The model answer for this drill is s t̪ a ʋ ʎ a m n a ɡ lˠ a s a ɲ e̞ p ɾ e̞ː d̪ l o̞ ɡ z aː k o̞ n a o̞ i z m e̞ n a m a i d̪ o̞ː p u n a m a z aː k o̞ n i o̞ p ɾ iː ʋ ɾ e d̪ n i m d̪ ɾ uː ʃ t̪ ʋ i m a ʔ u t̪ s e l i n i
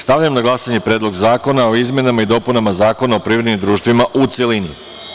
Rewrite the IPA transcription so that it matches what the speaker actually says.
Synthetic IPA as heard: s t̪ a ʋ ʎ a m n a ɡ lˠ a s a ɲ e̞ p ɾ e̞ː d̪ l o̞ ɡ z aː k o̞ n a o̞ i z m e̞ n a m a i d̪ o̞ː p u n a m a z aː k o̞ n a o̞ p ɾ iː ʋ ɾ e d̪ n i m d̪ ɾ uː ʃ t̪ ʋ i m a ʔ u t̪ s e l i n i